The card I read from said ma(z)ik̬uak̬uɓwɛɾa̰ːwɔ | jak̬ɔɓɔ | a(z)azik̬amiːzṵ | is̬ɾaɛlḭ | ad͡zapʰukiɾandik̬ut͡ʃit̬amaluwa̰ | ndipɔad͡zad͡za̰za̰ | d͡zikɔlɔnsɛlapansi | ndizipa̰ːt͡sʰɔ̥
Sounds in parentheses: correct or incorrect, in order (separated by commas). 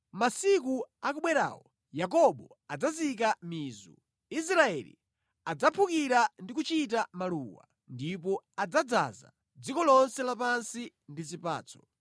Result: incorrect, incorrect